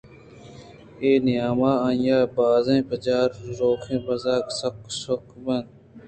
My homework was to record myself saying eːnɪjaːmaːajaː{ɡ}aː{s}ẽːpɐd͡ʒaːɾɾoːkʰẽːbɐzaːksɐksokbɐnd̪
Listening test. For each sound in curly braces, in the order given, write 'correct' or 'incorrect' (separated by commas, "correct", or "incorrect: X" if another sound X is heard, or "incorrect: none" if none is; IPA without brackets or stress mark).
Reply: incorrect: b, incorrect: z